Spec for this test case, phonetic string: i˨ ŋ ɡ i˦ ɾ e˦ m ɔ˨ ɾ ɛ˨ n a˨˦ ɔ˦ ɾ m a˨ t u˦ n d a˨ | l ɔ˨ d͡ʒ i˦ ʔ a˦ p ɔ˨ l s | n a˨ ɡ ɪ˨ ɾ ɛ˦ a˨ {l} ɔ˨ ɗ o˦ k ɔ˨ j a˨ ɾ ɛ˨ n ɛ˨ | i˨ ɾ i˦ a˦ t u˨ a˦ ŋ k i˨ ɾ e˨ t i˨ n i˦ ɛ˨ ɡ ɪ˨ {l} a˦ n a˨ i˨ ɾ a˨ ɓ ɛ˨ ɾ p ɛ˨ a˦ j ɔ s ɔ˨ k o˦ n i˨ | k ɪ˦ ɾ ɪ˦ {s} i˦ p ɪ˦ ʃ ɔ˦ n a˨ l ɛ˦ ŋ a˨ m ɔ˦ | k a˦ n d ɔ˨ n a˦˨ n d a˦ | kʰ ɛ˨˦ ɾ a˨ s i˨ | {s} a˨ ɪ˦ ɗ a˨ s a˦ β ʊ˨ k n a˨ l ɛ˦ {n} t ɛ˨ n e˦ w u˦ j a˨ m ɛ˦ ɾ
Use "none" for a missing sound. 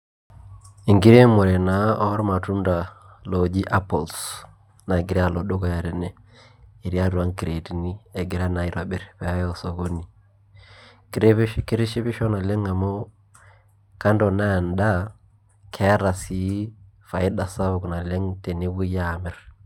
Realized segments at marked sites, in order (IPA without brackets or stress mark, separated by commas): l, ɾ, ʃ, f, ŋ